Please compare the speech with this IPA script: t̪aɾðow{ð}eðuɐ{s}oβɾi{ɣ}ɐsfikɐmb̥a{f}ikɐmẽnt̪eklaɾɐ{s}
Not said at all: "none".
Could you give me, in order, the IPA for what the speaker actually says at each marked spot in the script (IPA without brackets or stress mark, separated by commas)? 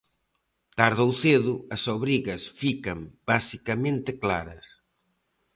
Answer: θ, s, ɣ, s, s